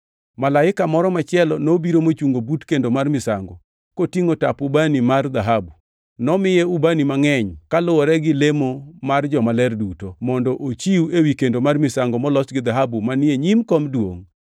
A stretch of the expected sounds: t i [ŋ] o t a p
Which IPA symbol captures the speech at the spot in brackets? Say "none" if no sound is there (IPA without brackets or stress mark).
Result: ŋ